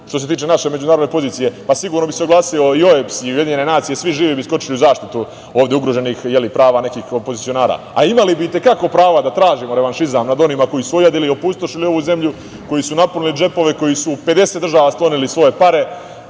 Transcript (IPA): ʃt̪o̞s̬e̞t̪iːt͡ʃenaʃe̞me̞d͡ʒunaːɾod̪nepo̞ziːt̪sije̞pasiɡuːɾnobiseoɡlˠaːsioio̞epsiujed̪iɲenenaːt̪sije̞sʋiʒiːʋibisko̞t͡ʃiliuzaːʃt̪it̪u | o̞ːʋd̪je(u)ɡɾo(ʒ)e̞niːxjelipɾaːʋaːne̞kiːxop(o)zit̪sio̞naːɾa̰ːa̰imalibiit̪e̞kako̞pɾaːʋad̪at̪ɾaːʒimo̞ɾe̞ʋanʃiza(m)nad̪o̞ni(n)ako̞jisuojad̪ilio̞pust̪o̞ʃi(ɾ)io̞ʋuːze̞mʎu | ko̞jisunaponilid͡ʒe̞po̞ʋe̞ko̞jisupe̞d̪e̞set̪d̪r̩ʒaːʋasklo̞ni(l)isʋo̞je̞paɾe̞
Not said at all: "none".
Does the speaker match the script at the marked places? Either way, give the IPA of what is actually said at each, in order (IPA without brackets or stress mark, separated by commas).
u, ʒ, o, m, m, l, l